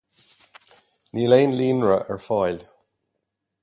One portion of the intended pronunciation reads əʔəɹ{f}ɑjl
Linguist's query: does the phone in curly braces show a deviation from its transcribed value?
no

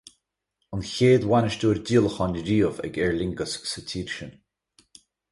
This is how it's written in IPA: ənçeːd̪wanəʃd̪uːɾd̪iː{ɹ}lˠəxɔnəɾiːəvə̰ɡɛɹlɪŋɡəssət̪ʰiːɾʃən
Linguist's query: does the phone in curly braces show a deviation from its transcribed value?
yes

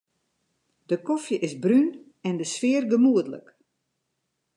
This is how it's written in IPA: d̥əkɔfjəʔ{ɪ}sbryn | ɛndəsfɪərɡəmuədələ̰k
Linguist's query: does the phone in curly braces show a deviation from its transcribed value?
no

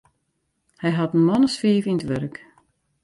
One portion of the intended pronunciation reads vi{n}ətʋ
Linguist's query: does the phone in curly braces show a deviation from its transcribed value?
no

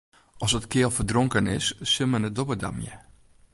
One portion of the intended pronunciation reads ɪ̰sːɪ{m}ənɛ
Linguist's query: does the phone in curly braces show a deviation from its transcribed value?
no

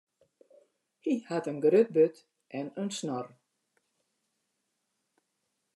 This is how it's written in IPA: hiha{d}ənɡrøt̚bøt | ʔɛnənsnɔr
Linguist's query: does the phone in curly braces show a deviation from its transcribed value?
yes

